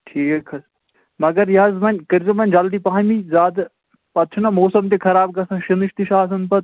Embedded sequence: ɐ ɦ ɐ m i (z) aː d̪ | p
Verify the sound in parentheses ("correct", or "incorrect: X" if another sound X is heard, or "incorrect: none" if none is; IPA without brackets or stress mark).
correct